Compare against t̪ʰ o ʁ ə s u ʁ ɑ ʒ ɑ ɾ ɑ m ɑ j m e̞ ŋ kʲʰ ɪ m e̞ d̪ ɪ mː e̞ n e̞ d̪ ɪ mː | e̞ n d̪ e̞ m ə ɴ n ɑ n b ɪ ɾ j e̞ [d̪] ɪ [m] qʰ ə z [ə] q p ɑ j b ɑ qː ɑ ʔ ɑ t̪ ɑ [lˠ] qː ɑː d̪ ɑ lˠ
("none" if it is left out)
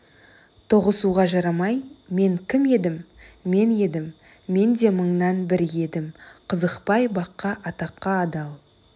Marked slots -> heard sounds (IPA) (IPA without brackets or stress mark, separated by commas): d̪, m, ə, none